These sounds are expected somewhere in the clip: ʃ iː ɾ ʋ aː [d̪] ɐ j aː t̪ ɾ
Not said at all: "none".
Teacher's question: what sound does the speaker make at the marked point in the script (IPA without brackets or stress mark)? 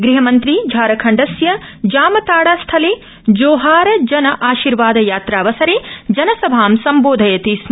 d̪